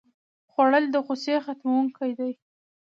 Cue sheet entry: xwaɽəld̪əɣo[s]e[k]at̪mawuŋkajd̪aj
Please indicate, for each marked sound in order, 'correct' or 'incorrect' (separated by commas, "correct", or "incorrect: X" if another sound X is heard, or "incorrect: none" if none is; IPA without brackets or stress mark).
correct, incorrect: x